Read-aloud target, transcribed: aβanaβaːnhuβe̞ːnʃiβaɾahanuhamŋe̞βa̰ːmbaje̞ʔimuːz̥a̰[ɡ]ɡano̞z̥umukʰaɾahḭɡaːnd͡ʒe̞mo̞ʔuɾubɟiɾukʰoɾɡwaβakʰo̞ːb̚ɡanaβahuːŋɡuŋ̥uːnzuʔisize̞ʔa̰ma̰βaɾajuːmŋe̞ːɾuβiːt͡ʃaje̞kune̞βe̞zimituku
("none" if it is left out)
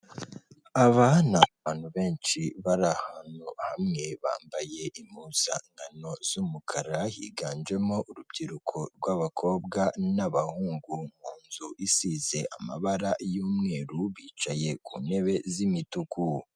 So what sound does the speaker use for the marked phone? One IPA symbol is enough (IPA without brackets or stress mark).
ŋ